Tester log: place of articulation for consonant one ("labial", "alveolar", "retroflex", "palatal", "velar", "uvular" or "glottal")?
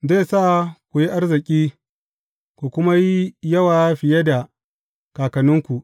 alveolar